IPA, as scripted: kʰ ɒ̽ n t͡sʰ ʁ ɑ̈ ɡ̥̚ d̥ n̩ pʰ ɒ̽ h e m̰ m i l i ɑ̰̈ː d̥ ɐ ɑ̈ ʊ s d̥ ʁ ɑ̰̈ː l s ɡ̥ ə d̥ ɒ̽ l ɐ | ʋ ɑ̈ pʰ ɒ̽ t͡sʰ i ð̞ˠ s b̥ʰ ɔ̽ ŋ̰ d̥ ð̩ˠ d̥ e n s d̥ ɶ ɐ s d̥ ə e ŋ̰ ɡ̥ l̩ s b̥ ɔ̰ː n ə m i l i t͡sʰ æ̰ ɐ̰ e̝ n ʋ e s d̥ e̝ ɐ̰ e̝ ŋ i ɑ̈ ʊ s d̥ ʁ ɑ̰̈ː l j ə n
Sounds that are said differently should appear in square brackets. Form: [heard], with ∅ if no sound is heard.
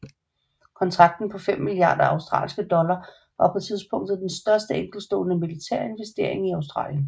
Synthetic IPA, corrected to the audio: kʰ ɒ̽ n t͡sʰ ʁ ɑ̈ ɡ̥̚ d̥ n̩ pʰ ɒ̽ [f] e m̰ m i l i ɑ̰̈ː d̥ ɐ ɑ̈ ʊ s d̥ ʁ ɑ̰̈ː l s ɡ̥ ə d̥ ɒ̽ l ɐ | ʋ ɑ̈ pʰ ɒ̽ t͡sʰ i ð̞ˠ s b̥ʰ ɔ̽ ŋ̰ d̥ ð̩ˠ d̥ e n s d̥ ɶ ɐ s d̥ ə e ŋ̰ ɡ̥ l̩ s [d̥] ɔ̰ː n ə m i l i t͡sʰ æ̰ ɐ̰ e̝ n ʋ e s d̥ e̝ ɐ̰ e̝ ŋ i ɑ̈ ʊ s d̥ ʁ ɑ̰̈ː l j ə n